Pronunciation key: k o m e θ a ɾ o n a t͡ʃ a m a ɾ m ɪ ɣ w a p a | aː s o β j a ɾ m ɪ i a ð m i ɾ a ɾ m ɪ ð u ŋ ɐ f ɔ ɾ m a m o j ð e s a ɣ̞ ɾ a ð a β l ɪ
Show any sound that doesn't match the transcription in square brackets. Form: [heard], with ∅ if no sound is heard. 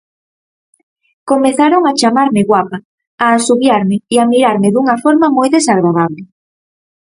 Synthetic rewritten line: k o m e θ a ɾ o [ŋ] a t͡ʃ a m a ɾ m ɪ ɣ w a p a | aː s [u] β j a ɾ m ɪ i a [∅] m i ɾ a ɾ m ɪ ð u ŋ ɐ f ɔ ɾ m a m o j ð e s a ɣ̞ ɾ a ð a β l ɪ

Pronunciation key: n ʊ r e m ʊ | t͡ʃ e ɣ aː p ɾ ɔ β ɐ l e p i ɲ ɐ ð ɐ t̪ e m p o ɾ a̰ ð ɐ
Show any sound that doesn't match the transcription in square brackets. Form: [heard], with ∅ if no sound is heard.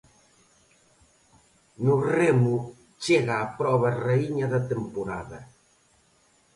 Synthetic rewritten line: n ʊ r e m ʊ | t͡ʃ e ɣ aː p ɾ ɔ β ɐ [r] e [∅] i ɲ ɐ ð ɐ t̪ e m p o ɾ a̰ ð ɐ

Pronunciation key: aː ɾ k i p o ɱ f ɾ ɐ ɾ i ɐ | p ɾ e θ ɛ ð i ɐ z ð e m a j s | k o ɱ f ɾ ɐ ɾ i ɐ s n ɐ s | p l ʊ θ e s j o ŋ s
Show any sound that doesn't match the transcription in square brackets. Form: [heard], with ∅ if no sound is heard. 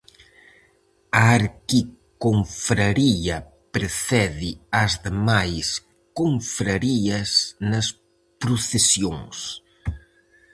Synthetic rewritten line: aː ɾ k i [k] o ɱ f ɾ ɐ ɾ i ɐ | p ɾ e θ ɛ ð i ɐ z ð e m a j s | k o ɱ f ɾ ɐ ɾ i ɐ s n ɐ s | p [ɾ] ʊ θ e s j o ŋ s

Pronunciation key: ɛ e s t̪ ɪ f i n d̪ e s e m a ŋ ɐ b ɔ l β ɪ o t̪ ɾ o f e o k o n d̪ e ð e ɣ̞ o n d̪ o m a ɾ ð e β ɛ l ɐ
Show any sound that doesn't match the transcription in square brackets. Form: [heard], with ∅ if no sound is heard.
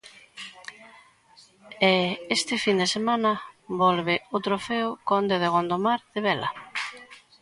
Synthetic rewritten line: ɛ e s t̪ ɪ f i n d̪ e s e m a [n] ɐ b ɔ l β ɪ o t̪ ɾ o f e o k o n d̪ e ð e ɣ̞ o n d̪ o m a ɾ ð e β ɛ l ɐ

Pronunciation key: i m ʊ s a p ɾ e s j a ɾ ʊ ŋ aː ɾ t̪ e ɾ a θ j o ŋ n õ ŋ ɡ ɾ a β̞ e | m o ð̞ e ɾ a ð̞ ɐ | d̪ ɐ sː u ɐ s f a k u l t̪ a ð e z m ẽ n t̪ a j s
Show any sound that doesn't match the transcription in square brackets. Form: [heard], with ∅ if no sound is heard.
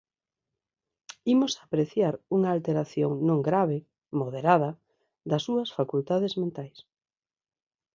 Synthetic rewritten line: i m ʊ s a p ɾ e [θ] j a ɾ [u] ŋ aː [l] t̪ e ɾ a θ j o ŋ n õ ŋ ɡ ɾ a β̞ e | m o ð̞ e ɾ a ð̞ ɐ | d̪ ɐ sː u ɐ s f a k u l t̪ a ð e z m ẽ n t̪ a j s

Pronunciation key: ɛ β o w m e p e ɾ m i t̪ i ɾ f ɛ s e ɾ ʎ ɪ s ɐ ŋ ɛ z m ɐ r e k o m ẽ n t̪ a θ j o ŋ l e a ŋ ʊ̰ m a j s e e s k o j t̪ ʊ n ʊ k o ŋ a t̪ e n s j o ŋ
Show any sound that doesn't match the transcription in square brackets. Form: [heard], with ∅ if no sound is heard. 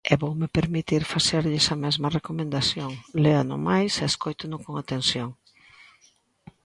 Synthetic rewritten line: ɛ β o w m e p e ɾ m i t̪ i ɾ f [a] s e ɾ ʎ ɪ s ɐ [m] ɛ z m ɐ r e k o m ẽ n [d̪] a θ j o ŋ l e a [n] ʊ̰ m a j s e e s k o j t̪ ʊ n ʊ k o ŋ a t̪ e n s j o ŋ

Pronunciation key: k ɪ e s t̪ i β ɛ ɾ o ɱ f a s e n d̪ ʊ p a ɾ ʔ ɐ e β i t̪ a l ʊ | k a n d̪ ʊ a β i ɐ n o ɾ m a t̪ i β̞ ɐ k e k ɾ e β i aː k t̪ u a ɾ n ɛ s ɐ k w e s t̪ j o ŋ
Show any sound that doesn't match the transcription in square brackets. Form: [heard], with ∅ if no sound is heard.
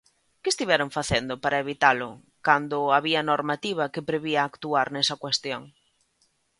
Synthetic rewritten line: k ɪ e s t̪ i β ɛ ɾ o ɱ f a [θ] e n d̪ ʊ p a ɾ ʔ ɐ e β i t̪ a l ʊ | k a n d̪ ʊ a β i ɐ n o ɾ m a t̪ i β̞ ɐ k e [p] ɾ e β i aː k t̪ u a ɾ n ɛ s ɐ k w e s t̪ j o ŋ

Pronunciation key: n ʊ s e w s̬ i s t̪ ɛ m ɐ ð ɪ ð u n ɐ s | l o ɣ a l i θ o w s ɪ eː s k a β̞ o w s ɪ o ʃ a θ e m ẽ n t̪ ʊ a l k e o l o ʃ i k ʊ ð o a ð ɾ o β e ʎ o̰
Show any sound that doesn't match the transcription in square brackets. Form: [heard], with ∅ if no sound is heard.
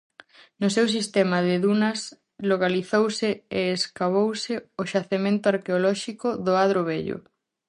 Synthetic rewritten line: n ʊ s e w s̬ i s t̪ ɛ m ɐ ð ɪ ð u n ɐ s | l o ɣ a l i θ o w s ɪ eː s k a β̞ o w s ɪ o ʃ a θ e m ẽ n t̪ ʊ a [ɾ] k e o l [ɔ] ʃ i k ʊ ð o a ð ɾ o β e ʎ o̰

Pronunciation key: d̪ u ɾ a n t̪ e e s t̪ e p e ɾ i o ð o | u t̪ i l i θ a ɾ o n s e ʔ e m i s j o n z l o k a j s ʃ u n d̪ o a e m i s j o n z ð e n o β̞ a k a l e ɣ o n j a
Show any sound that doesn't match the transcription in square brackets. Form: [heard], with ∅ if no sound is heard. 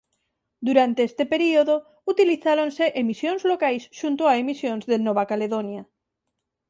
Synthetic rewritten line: d̪ u ɾ a n t̪ e e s t̪ e p e ɾ i o ð o | u t̪ i l i θ a ɾ o n s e ʔ e m i s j o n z l o k a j s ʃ u n [t̪] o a e m i s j o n z ð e n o β̞ a k a l e [ð] o n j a

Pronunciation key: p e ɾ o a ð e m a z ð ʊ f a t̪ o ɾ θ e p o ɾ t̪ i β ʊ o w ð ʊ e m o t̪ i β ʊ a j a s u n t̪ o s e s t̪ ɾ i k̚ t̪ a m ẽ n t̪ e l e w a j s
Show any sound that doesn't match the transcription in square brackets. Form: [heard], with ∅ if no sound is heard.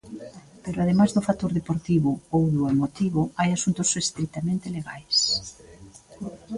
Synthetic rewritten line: p e ɾ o a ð e m a z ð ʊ f a t̪ o ɾ [ð] e p o ɾ t̪ i β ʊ o w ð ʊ e m o t̪ i β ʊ a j a s u n t̪ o s e s t̪ ɾ i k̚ t̪ a m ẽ n t̪ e l e [ɣ] a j s

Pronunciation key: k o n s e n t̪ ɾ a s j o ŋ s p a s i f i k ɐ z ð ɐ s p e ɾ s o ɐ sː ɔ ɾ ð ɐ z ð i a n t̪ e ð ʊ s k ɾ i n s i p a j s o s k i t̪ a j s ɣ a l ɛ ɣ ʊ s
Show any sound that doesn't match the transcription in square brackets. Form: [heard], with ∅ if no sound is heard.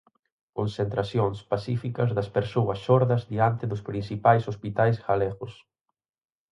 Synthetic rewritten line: k o n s e n t̪ ɾ a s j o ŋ s p a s i f i k ɐ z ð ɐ s p e ɾ s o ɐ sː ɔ ɾ ð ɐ z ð i a n t̪ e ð ʊ s [p] ɾ i n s i p a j s o s [p] i t̪ a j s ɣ a l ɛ ɣ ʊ s

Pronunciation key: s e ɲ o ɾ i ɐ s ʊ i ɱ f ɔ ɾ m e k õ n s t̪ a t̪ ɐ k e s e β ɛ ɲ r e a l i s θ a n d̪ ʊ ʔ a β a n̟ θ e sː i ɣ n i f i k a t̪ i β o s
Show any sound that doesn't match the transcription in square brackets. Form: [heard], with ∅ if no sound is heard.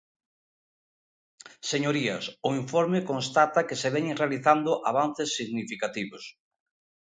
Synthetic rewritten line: s e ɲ o ɾ i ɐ s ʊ i ɱ f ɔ ɾ m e k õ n s t̪ a t̪ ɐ k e s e β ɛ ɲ r e a l i [∅] θ a n d̪ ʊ ʔ a β a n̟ θ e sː i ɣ n i f i k a t̪ i β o s

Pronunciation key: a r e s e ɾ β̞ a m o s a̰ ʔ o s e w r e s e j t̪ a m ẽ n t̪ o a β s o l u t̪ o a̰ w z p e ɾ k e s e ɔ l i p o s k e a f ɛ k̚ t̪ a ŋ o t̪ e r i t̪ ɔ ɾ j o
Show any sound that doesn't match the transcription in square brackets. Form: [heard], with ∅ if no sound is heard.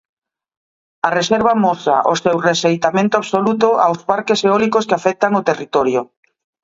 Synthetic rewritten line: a r e s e ɾ β̞ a m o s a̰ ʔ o s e w r e s e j t̪ a m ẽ n t̪ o a β s o l u t̪ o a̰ w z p [a] ɾ k e s e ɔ l i [k] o s k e a f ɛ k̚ t̪ a ŋ o t̪ e r i t̪ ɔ ɾ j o

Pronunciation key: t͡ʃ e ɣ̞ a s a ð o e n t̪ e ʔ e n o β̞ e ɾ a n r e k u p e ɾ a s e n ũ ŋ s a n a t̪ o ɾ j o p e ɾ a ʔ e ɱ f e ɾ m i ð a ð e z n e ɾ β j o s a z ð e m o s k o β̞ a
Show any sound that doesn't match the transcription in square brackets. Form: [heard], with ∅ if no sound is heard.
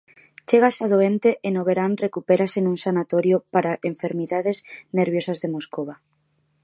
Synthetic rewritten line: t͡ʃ e ɣ̞ a s a ð o e n t̪ e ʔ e n o β̞ e ɾ a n r e k u p e ɾ a s e n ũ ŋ s a n a t̪ o ɾ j o p [a] ɾ a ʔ e ɱ f e ɾ m i ð a ð e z n e ɾ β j o s a z ð e m o s k o β̞ a

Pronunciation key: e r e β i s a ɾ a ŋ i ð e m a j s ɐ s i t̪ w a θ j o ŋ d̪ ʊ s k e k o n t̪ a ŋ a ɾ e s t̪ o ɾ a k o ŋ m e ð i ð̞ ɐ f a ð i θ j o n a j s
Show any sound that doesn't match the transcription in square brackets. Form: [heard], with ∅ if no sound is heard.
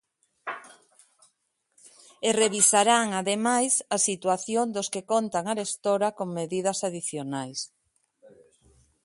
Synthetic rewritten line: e r e β i s a ɾ a ŋ [a] ð e m a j s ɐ s i t̪ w a θ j o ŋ d̪ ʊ s k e k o n t̪ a ŋ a ɾ e s t̪ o ɾ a k o ŋ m e ð i ð̞ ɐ [s] a ð i θ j o n a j s

